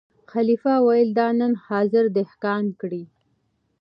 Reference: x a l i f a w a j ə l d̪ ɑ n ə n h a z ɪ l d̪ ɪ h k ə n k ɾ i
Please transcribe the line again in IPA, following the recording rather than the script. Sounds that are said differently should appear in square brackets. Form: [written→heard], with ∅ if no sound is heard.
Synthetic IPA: x a l i f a w a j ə l d̪ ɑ n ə n h [a→ɑ] z ɪ [l→ɾ] d̪ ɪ h k [ə→ɑ] n k [ɾ→ɽ] i